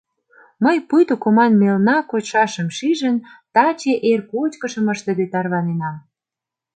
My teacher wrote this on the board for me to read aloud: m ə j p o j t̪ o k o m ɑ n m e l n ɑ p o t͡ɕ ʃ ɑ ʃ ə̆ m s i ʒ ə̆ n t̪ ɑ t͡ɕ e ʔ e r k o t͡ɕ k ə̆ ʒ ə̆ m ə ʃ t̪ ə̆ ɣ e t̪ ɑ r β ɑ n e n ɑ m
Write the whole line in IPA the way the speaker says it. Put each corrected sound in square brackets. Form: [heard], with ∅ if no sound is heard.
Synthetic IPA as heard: m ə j p [u] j t̪ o k o m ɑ n m e l n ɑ [k] o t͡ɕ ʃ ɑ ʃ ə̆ m [ʃ] i ʒ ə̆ n t̪ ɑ t͡ɕ e ʔ e r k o t͡ɕ k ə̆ [ʃ] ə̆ m ə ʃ t̪ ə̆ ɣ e t̪ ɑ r β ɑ n e n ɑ m